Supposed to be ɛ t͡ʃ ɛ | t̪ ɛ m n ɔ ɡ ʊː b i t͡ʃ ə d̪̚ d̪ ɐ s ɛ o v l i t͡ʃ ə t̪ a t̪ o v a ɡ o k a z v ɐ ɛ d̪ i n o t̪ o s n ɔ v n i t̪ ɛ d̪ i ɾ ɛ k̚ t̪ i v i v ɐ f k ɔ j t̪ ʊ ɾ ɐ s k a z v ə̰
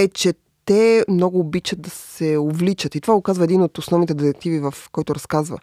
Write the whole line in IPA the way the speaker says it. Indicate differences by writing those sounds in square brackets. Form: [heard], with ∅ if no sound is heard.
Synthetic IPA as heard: ɛ t͡ʃ ɛ | t̪ ɛ m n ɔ ɡ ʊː b i t͡ʃ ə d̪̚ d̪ ɐ s ɛ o v l i t͡ʃ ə t̪ [i] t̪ o v a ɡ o k a z v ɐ ɛ d̪ i n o t̪ o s n ɔ v n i t̪ ɛ d̪ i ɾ ɛ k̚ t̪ i v i v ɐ f k ɔ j t̪ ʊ ɾ ɐ s k a z v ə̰